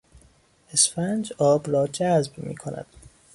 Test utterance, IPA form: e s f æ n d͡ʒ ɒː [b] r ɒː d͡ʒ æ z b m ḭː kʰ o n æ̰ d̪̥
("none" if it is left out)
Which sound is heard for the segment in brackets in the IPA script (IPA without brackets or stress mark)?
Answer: b